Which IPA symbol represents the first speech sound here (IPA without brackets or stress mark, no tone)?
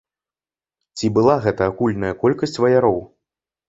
t͡sʲ